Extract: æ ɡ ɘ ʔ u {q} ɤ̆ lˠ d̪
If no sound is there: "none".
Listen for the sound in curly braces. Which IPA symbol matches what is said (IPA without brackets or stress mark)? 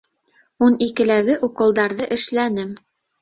q